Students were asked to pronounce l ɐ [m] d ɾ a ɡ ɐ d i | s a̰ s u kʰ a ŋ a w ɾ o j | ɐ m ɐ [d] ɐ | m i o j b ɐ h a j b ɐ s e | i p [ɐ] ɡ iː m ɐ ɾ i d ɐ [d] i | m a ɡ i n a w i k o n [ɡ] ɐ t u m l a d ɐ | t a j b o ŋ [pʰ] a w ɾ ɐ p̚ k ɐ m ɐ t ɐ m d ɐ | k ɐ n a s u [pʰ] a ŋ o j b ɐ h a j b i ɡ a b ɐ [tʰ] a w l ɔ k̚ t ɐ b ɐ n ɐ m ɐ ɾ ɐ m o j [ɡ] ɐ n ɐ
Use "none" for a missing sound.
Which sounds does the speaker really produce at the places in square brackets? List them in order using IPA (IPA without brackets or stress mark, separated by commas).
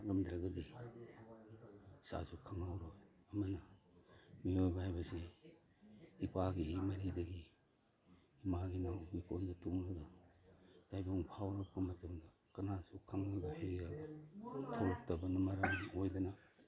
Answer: m, n, a, ɡ, d, pʰ, kʰ, tʰ, d